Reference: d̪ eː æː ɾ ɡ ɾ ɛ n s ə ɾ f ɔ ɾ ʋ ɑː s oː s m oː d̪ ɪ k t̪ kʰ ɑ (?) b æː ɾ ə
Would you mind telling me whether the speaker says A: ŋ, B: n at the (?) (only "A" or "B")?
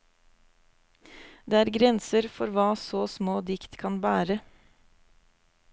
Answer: B